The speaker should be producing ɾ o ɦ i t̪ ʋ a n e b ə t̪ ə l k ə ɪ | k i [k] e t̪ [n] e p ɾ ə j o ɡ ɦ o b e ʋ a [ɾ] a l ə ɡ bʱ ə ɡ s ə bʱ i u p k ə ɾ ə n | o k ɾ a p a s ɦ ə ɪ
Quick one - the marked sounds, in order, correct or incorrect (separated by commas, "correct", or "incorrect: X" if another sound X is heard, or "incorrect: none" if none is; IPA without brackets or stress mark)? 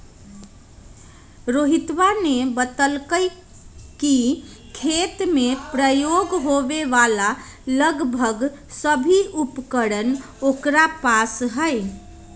incorrect: kʰ, incorrect: m, incorrect: l